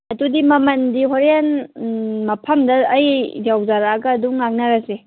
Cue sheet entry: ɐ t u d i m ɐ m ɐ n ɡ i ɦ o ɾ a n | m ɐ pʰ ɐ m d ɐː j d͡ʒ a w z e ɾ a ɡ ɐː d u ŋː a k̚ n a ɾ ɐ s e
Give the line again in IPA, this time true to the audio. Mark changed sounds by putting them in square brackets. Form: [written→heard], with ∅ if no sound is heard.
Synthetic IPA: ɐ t u d i m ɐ m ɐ n [ɡ→d] i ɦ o ɾ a n | m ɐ pʰ ɐ m d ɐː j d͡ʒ a w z [e→a] ɾ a ɡ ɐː d u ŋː a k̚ n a ɾ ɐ s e